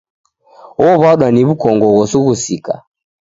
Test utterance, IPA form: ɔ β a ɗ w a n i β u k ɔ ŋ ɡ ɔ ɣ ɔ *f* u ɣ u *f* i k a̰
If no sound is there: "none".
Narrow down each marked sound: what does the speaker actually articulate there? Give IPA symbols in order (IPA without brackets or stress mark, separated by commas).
s, s